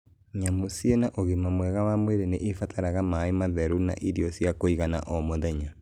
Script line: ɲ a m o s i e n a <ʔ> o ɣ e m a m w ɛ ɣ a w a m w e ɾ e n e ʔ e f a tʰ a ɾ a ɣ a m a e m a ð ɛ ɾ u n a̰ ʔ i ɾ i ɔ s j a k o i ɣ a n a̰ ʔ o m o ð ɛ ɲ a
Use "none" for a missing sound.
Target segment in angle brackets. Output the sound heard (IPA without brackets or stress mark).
ʔ